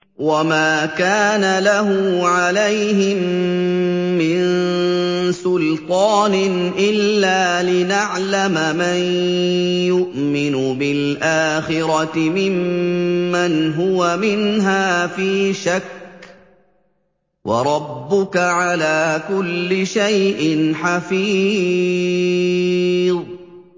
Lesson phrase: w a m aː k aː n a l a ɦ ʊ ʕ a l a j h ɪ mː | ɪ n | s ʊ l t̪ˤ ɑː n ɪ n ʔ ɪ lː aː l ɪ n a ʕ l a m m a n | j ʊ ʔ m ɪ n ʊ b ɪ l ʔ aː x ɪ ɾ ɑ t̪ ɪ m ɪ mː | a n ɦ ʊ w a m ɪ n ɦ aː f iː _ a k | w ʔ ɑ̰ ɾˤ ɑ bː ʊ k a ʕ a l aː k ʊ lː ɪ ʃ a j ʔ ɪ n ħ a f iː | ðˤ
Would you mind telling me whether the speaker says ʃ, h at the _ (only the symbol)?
ʃ